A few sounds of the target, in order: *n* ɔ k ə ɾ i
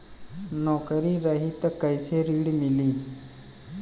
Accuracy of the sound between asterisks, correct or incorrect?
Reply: correct